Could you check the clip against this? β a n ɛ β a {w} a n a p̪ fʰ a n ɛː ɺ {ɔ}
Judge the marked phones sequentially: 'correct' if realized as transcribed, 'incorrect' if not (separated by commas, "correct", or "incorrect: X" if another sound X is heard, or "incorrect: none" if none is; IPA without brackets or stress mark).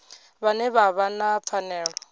incorrect: β, correct